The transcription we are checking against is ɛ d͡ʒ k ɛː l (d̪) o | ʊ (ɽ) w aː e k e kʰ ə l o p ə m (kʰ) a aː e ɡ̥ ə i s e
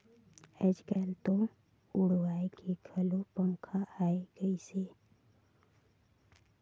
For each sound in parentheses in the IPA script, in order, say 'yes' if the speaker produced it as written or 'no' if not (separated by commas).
no, yes, yes